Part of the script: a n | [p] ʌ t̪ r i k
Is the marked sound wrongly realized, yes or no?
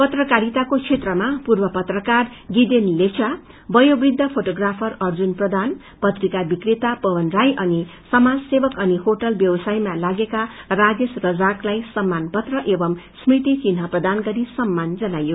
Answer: no